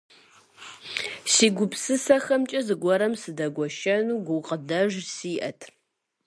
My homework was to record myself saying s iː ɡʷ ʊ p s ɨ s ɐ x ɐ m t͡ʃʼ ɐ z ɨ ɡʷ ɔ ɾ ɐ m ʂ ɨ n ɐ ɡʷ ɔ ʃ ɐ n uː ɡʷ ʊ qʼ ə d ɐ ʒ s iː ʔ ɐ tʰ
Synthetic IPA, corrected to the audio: s iː ɡʷ ʊ p s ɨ s ɐ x ɐ m t͡ʃʼ ɐ z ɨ ɡʷ ɔ ɾ ɐ m s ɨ d ɐ ɡʷ ɔ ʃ ɐ n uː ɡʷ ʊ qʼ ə d ɐ ʒ s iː ʔ ɐ tʰ

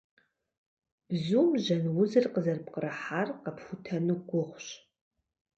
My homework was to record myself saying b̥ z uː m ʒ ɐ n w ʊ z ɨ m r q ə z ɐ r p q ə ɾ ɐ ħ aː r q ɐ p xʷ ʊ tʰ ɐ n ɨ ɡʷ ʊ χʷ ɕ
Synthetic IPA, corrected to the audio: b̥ z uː m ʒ ɐ n w ʊ z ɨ r q ə z ɐ r p q ə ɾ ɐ ħ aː r q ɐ p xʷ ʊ tʰ ɐ n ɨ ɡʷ ʊ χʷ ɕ

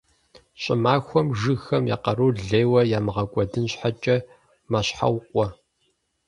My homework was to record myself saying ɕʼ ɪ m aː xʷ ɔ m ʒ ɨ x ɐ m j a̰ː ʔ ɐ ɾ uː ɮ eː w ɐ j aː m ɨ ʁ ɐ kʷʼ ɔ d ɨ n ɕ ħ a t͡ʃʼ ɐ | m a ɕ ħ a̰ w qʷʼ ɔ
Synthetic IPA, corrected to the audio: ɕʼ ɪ m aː xʷ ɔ m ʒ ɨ x ɐ m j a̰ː q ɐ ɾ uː ɮ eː w ɐ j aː m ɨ ʁ ɐ kʷʼ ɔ d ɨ n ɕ ħ a t͡ʃʼ ɐ | m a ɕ ħ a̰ w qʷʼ ɔ

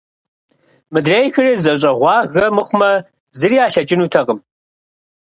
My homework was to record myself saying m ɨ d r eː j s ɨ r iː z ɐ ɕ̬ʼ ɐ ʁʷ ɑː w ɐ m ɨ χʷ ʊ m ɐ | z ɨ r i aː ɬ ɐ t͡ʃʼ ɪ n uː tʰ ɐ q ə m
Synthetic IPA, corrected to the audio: m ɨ d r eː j x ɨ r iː z ɐ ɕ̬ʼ ɐ ʁʷ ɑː ɣ ɐ m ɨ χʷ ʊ m ɐ | z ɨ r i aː ɬ ɐ t͡ʃʼ ɪ n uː tʰ ɐ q ə m

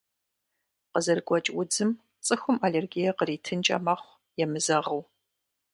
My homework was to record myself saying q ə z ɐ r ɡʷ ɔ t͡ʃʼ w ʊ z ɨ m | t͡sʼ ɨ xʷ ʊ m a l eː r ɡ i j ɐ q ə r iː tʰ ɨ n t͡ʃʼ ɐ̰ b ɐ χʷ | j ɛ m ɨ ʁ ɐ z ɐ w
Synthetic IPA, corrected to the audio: q ə z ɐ r ɡʷ ɔ t͡ʃʼ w ʊ d͡z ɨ m | t͡sʼ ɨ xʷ ʊ m a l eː r ɡ i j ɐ q ə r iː tʰ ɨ n t͡ʃʼ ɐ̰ m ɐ χʷ | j ɛ m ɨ z ɐ ʁ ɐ w

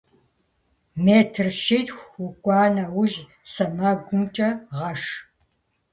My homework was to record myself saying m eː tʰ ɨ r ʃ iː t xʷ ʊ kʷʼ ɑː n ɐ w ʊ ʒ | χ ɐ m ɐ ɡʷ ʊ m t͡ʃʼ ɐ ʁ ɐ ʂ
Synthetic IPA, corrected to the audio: m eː tʰ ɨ r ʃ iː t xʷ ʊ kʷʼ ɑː n ɐ w ʊ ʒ | s ɐ m ɐ ɡʷ ʊ m t͡ʃʼ ɐ ʁ ɐ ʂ

